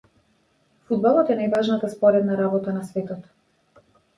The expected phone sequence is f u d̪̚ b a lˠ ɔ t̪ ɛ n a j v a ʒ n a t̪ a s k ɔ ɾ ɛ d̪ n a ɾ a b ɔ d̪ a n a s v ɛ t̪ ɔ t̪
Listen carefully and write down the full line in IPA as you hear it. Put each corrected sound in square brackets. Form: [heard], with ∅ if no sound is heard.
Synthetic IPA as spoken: f u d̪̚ b a lˠ ɔ t̪ ɛ n a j v a ʒ n a t̪ a s [p] ɔ ɾ ɛ d̪ n a ɾ a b ɔ [t̪] a n a s v ɛ t̪ ɔ t̪